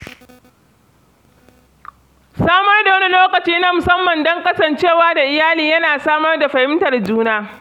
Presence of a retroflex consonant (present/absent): absent